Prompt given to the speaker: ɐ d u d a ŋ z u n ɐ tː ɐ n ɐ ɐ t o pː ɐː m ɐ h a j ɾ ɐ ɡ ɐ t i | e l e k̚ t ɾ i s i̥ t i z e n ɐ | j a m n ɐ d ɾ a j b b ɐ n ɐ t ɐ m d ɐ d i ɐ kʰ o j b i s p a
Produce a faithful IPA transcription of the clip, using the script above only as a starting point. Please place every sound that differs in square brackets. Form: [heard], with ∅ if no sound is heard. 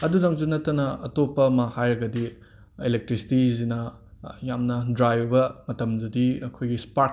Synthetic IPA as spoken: ɐ d u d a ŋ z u n ɐ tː ɐ n ɐ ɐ t o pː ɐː m ɐ h a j ɾ ɐ ɡ ɐ [d] i | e l e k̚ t ɾ i s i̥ t i z [i] n ɐ | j a m n ɐ d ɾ a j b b ɐ [m] ɐ t ɐ m d ɐ d i ɐ kʰ o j [ɡ] i s p a